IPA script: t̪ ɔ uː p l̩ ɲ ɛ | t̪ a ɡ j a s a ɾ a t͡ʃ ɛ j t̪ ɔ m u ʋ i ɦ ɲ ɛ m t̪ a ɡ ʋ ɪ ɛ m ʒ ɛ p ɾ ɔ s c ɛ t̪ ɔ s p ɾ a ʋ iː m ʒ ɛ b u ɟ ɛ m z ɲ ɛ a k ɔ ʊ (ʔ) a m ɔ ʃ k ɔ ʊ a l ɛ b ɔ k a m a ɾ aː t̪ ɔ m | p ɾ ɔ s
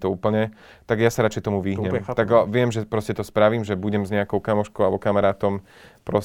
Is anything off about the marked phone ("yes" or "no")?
yes